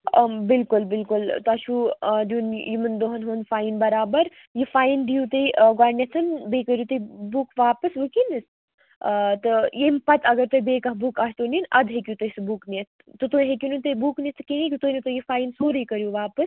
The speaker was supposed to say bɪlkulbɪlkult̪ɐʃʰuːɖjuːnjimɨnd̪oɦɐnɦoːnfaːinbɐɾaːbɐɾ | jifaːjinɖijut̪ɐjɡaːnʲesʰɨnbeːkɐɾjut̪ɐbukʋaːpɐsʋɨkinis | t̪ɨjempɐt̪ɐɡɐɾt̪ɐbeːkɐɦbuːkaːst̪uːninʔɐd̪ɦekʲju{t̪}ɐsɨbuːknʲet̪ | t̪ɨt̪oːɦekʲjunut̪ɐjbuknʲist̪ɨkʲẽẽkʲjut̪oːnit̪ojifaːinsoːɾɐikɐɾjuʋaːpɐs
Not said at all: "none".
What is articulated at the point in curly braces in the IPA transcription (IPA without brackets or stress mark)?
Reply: t̪